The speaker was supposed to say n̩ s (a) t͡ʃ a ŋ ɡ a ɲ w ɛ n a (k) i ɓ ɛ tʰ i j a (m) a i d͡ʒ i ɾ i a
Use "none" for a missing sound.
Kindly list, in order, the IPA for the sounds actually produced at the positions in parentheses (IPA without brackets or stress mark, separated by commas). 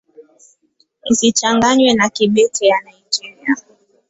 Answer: i, k, n